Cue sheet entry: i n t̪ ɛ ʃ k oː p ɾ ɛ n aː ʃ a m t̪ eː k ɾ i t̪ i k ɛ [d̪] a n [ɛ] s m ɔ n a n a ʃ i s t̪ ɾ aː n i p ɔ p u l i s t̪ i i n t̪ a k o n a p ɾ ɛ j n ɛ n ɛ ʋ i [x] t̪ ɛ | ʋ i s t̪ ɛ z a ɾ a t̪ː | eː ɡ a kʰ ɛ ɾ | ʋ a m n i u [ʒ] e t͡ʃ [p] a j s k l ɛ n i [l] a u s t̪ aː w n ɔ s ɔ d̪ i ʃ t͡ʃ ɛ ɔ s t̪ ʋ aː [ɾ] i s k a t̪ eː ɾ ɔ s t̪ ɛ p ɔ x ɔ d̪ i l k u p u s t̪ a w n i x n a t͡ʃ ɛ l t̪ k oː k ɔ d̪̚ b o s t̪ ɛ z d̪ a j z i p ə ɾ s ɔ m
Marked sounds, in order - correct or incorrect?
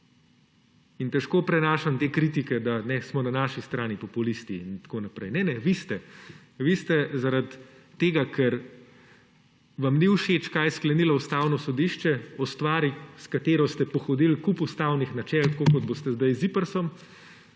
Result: correct, correct, incorrect: s, incorrect: ʃ, incorrect: k, correct, correct

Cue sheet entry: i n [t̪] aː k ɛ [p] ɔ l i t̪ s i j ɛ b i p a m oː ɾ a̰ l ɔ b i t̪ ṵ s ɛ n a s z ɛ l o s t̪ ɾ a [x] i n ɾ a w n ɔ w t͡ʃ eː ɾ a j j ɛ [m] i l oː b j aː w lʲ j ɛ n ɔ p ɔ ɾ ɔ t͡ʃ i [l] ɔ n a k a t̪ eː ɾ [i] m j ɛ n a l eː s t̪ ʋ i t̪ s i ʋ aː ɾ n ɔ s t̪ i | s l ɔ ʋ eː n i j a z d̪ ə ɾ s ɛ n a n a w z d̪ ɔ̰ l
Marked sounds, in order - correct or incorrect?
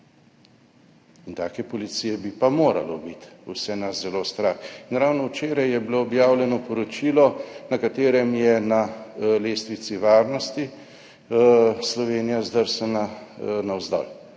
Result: correct, correct, correct, incorrect: b, correct, incorrect: ɛ

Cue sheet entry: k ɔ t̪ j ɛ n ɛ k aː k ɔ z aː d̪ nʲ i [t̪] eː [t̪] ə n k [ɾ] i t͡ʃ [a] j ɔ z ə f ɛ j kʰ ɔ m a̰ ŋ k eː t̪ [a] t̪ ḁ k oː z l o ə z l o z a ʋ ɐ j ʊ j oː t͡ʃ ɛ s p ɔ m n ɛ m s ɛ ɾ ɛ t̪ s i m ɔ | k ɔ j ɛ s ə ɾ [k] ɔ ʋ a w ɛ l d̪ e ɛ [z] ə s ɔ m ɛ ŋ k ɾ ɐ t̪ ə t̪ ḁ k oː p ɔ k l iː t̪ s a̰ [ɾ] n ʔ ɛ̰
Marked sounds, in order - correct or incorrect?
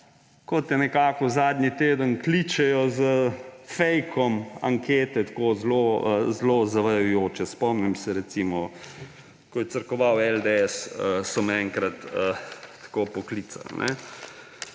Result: correct, incorrect: d̪, incorrect: l, incorrect: ɛ, incorrect: ɛ, correct, incorrect: s, incorrect: l

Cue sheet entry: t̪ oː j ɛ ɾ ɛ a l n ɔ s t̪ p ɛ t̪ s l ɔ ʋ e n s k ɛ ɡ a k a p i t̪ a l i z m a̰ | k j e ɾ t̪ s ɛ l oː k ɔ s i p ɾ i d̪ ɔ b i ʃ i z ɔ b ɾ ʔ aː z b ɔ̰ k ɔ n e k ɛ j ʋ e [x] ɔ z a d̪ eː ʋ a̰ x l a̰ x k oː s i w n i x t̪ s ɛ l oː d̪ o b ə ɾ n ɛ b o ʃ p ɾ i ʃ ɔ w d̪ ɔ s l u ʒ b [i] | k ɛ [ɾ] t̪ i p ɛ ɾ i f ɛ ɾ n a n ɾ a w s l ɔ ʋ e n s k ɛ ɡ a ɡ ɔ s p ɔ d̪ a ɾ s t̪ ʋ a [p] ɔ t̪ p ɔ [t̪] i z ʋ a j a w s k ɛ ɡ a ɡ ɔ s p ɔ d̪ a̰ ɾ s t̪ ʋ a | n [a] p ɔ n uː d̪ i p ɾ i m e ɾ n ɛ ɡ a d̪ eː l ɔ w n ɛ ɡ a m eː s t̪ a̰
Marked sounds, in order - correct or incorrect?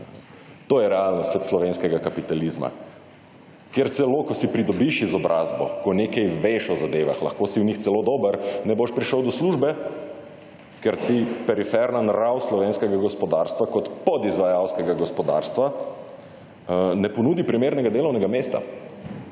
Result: incorrect: ʃ, incorrect: ɛ, correct, incorrect: k, incorrect: d̪, incorrect: ɛ

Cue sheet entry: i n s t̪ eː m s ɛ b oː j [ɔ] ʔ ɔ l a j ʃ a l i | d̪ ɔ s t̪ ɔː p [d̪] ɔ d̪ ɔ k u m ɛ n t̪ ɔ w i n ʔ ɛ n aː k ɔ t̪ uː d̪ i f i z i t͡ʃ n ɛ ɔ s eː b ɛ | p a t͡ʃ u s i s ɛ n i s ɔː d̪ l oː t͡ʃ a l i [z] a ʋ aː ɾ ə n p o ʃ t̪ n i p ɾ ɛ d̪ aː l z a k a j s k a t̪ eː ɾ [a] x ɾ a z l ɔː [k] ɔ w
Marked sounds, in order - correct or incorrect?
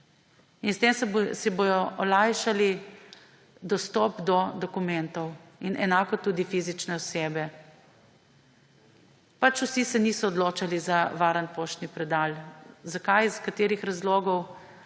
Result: correct, correct, correct, incorrect: i, incorrect: ɡ

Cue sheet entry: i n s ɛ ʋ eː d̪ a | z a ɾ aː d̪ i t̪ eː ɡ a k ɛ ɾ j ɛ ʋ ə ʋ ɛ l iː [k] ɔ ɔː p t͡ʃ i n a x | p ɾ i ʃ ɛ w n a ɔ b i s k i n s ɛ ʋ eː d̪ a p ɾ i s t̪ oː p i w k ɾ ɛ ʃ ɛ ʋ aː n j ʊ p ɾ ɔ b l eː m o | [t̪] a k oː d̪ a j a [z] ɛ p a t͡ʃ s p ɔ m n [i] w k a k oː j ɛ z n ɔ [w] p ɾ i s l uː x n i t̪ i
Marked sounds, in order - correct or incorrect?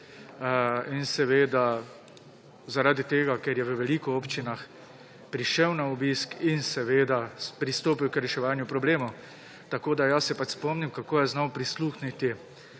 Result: correct, correct, incorrect: s, correct, correct

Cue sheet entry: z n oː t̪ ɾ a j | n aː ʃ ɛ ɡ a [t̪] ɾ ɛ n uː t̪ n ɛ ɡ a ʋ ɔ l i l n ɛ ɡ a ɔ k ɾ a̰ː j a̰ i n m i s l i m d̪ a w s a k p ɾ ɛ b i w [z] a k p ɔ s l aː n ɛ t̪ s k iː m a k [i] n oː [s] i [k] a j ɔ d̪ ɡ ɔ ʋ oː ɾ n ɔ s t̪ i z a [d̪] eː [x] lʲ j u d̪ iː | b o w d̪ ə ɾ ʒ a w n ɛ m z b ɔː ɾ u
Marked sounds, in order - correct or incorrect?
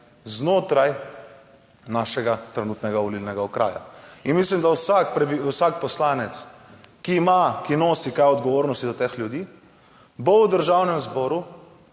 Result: correct, incorrect: s, correct, correct, correct, incorrect: t̪, correct

